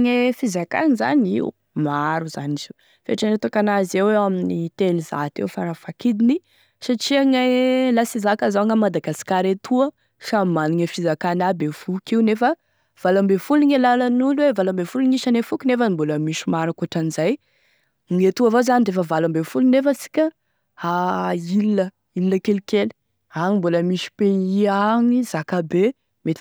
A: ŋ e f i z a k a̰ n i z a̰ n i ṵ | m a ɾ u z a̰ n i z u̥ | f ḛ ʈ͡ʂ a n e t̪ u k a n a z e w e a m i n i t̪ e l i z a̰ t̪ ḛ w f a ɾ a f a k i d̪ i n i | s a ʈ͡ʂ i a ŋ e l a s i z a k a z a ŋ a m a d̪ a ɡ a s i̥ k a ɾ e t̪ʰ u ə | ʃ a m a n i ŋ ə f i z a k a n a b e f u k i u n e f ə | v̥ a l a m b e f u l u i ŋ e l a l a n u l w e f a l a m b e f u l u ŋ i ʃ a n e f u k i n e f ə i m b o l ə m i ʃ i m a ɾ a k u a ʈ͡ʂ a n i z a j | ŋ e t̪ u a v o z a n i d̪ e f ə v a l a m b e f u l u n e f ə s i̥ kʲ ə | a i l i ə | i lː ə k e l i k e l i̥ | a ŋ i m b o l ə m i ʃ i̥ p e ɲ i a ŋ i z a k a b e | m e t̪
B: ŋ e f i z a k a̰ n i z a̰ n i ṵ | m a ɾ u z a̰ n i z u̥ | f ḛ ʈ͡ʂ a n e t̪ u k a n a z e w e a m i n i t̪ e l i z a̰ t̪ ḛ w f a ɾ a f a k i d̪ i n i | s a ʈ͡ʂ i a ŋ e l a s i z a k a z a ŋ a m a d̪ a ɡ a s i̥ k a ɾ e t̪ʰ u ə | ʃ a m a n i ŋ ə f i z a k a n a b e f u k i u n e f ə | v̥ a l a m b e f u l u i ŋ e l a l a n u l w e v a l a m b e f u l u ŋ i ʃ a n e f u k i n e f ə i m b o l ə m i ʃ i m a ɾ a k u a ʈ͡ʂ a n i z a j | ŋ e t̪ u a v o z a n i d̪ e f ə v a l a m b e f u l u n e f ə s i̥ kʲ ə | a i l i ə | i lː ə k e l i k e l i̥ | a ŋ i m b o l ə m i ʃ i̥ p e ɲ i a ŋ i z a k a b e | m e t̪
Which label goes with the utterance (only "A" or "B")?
B